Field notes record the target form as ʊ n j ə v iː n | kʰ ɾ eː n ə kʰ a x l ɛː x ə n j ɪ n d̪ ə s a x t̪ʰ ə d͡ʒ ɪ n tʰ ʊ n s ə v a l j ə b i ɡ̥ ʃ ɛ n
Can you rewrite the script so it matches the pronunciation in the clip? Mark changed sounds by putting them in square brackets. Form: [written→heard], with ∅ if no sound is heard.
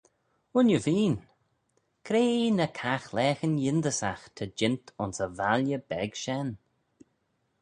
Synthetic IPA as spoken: ʊ n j ə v iː n | kʰ ɾ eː n ə kʰ a x l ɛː x ə n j ɪ n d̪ ə s a x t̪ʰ ə d͡ʒ ɪ n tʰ ʊ n s ə v a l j ə b [i→ɛ] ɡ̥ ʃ ɛ n